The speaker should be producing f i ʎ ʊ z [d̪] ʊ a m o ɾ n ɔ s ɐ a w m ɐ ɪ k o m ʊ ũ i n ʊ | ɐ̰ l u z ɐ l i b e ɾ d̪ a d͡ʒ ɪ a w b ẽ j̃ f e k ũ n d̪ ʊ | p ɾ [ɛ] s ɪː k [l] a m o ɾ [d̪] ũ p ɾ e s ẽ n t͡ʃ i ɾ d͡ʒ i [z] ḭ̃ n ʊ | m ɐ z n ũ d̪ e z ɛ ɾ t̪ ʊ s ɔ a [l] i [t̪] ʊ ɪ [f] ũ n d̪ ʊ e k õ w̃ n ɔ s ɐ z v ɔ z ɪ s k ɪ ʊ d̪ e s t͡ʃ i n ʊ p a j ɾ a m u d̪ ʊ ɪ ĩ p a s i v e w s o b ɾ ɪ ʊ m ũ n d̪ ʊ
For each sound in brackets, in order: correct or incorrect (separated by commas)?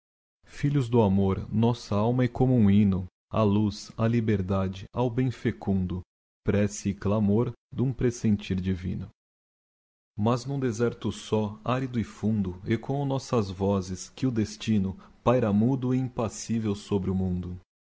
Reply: correct, correct, correct, correct, incorrect, incorrect, incorrect, correct